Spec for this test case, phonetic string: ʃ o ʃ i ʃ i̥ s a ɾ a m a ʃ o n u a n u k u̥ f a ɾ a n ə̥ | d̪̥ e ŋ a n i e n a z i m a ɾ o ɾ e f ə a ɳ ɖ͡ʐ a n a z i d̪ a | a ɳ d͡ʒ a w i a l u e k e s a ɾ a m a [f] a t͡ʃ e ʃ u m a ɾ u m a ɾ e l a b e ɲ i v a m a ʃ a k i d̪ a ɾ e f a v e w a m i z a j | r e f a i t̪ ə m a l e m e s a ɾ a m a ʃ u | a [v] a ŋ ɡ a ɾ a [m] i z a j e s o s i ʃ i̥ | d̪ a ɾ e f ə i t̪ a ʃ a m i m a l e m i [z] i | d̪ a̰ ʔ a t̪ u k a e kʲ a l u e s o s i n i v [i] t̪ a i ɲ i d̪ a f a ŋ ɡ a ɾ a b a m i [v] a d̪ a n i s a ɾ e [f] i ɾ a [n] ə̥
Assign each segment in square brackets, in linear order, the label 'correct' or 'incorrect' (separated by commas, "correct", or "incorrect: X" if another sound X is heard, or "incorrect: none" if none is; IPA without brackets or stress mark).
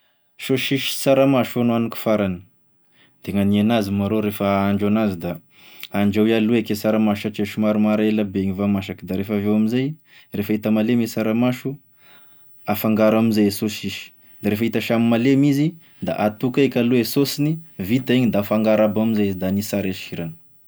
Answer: incorrect: ʃ, incorrect: f, correct, correct, correct, incorrect: z, incorrect: ʃ, correct